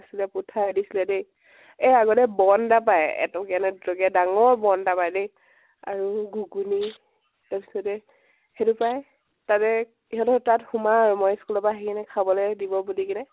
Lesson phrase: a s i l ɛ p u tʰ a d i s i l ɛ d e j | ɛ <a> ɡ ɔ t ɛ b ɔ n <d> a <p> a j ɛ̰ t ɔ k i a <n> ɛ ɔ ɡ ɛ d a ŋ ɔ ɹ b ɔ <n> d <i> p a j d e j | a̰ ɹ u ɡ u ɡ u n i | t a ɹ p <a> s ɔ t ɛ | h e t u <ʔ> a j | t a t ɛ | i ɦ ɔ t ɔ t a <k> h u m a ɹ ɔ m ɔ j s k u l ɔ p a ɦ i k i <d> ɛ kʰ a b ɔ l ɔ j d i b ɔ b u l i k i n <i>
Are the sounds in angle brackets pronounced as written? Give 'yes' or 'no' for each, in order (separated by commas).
yes, yes, yes, yes, yes, no, no, no, no, no, no